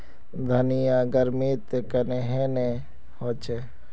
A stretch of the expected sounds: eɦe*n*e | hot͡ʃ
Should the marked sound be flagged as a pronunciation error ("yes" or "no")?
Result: no